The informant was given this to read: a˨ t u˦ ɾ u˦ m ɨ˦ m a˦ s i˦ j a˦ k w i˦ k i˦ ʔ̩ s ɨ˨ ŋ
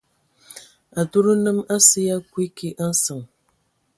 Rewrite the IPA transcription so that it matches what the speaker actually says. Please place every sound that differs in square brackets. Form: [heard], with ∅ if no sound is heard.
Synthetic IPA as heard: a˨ t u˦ ɾ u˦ [n] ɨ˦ m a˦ s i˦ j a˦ k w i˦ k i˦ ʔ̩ s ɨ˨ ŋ